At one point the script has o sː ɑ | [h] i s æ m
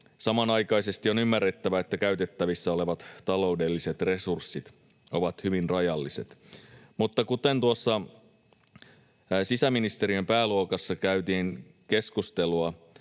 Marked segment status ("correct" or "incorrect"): incorrect